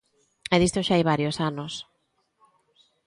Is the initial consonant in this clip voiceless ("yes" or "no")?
no